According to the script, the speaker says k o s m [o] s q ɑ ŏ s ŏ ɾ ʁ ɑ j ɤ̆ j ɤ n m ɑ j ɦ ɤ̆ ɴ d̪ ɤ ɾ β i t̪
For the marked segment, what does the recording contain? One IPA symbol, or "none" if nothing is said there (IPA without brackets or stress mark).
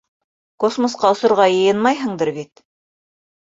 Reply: o